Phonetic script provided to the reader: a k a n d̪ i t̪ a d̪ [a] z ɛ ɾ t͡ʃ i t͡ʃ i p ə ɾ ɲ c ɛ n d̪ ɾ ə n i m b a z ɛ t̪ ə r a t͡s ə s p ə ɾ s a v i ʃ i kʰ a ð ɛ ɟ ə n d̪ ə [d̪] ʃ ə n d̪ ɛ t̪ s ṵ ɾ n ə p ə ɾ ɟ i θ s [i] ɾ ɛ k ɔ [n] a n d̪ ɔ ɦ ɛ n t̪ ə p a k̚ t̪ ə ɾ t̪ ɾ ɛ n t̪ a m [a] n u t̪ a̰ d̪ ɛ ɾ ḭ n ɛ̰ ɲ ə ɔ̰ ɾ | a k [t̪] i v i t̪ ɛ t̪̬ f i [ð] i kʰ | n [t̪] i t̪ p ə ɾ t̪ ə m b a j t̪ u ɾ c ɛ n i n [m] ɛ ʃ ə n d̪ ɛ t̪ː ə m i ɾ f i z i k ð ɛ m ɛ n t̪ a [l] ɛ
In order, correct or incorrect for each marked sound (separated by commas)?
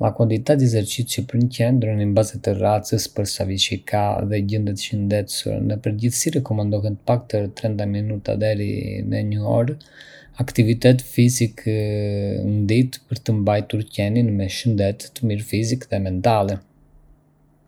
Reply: incorrect, incorrect, correct, incorrect, incorrect, correct, incorrect, incorrect, correct, correct